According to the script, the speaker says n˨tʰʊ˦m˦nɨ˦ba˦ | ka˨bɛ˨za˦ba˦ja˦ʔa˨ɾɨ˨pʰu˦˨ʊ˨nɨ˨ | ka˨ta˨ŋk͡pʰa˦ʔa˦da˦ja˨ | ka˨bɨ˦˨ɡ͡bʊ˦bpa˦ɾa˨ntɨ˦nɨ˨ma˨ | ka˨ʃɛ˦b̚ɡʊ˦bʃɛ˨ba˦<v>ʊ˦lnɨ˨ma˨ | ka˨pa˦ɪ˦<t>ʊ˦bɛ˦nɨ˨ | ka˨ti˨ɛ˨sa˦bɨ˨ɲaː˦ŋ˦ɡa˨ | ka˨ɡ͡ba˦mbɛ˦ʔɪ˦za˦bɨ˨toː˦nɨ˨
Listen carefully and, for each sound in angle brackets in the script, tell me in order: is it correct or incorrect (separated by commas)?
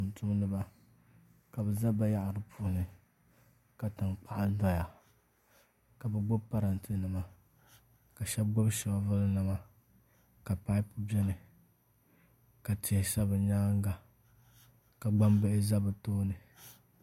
correct, incorrect